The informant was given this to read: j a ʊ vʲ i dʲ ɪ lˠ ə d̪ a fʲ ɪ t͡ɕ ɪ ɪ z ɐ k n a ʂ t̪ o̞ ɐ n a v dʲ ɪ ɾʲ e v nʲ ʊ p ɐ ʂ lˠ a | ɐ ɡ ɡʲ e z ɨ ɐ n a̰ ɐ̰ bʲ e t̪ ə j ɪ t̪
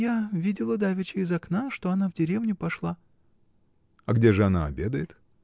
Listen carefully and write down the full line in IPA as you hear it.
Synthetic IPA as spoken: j a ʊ vʲ i dʲ ɪ lˠ ə d̪ a vʲ ɪ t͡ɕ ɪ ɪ z ɐ k n a ʂ t̪ o̞ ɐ n a v dʲ ɪ ɾʲ e v nʲ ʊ p ɐ ʂ lˠ a | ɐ ɡ dʲ e ʐ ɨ ɐ n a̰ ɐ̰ bʲ e d̪ ə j ɪ t̪